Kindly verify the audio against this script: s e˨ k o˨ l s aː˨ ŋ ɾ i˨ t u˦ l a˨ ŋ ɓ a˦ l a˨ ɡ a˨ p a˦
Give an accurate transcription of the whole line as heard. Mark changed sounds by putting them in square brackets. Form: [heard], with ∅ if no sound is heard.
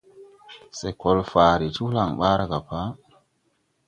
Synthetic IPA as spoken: s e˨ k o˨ l [f] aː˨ [∅] ɾ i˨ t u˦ l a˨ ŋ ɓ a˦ [ɾ] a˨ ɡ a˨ p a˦